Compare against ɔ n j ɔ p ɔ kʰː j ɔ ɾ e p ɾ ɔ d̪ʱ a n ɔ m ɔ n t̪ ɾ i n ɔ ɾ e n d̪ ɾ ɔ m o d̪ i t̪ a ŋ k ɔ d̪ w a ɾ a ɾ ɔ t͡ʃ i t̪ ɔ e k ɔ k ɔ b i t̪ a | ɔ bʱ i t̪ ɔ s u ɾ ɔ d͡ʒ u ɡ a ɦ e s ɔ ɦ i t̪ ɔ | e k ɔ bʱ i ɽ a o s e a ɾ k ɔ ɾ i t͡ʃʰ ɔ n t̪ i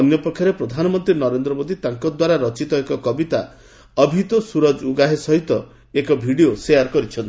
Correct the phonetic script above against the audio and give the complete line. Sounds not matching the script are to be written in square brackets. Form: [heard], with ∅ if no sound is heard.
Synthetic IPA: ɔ n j ɔ p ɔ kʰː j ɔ ɾ e p ɾ ɔ d̪ʱ a n ɔ m ɔ n t̪ ɾ i n ɔ ɾ e n d̪ ɾ ɔ m o d̪ i t̪ a ŋ k ɔ d̪ w a ɾ a ɾ ɔ t͡ʃ i t̪ ɔ e k ɔ k ɔ b i t̪ a | ɔ bʱ i t̪ ɔ s u ɾ ɔ d͡ʒ u ɡ a ɦ e s ɔ ɦ i t̪ ɔ | e k ɔ bʱ i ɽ [i] o s e a ɾ k ɔ ɾ i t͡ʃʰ ɔ n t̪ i